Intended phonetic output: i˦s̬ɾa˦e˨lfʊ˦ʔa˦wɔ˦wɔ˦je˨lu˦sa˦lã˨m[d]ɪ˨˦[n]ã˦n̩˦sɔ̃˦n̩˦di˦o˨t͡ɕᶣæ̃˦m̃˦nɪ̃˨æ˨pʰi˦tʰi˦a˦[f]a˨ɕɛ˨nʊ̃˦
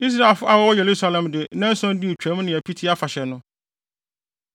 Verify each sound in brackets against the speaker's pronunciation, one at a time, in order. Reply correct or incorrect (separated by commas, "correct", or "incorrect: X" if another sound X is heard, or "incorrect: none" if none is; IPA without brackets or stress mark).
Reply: correct, correct, correct